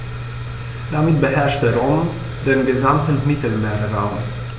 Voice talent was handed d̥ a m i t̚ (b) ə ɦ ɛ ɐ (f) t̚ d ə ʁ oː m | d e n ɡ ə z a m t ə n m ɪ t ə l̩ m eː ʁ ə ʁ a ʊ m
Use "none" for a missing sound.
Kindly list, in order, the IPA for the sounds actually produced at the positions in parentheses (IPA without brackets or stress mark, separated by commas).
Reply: b, ʃ